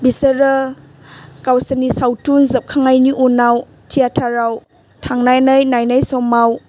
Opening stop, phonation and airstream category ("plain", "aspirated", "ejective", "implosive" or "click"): plain